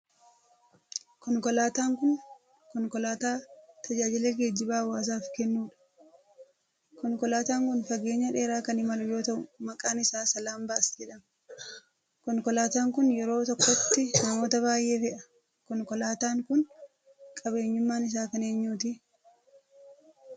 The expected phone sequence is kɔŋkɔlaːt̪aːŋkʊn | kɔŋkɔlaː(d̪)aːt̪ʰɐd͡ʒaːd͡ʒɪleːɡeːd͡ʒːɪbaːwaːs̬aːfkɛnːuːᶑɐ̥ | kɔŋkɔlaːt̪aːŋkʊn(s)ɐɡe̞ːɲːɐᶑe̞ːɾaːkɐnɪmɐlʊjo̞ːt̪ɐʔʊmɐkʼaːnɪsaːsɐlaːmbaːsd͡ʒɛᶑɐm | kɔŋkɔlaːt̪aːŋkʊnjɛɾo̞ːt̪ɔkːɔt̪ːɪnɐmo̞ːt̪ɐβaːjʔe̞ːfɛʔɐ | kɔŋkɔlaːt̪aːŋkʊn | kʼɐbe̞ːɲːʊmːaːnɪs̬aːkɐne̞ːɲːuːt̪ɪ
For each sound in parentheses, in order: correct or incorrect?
incorrect, incorrect

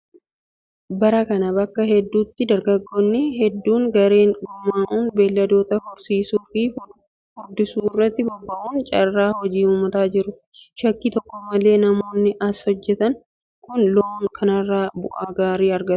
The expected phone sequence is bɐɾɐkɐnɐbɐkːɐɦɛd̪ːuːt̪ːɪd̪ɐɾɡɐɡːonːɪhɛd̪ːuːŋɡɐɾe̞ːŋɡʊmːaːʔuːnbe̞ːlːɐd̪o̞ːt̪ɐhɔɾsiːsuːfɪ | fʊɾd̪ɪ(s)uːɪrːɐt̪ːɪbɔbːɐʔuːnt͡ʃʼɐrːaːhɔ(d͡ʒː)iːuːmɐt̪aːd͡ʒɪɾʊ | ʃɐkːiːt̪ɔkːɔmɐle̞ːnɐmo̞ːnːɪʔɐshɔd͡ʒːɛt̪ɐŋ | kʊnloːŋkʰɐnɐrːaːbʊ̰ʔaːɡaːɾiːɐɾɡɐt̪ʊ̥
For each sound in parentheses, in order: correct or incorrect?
correct, incorrect

